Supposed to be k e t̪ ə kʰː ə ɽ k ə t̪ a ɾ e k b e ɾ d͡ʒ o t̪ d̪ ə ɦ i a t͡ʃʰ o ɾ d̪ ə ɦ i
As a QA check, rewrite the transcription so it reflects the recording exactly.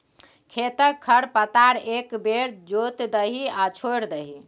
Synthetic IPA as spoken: kʰ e t̪ ə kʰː ə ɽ p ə t̪ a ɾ e k b e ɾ d͡ʒ o t̪ d̪ ə ɦ i a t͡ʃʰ o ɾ d̪ ə ɦ i